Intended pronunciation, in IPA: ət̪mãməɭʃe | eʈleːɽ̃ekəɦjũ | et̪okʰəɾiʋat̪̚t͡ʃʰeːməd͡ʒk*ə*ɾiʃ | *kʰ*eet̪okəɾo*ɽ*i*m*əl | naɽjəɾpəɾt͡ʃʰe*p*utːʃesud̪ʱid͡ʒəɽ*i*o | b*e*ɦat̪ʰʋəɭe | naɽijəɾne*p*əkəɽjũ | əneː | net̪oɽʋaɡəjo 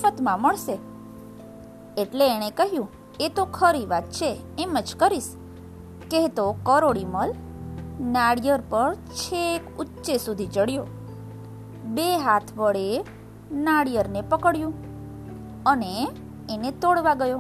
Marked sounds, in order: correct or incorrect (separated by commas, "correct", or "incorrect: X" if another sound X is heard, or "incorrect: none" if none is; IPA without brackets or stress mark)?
correct, incorrect: k, correct, correct, incorrect: k, incorrect: j, correct, correct